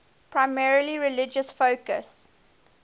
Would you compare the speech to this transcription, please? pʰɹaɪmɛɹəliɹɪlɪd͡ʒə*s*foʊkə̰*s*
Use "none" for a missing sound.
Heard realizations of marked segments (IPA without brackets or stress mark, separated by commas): s, s